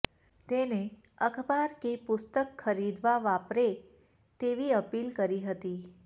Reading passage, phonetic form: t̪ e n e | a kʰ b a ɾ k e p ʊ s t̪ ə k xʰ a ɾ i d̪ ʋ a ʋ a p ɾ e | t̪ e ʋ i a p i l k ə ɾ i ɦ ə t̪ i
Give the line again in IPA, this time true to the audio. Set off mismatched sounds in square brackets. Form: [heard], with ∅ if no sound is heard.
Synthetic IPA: t̪ e n e | [ə] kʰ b a ɾ k e p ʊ s t̪ ə k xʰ [ə] ɾ i d̪ ʋ a ʋ a p ɾ e | t̪ e ʋ i [ə] p i l k ə ɾ i ɦ ə t̪ i